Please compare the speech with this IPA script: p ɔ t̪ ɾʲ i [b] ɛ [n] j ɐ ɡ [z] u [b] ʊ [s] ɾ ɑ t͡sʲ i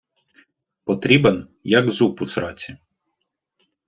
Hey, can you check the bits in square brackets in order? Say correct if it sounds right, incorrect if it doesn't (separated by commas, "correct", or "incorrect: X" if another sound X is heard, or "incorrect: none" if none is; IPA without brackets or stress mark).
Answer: correct, correct, correct, incorrect: p, correct